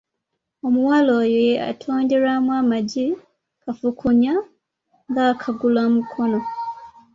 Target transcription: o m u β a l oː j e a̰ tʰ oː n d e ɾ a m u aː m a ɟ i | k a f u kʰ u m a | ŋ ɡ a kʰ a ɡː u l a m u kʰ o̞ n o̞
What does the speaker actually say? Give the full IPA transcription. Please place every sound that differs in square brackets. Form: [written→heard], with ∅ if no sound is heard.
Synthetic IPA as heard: o m u [β→w] a l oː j e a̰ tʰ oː n d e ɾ a m [u→w] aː m a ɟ i | k a f u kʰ u [m→ɲ] a | ŋ ɡ a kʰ a [ɡː→ɡ] u l a m u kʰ o̞ n o̞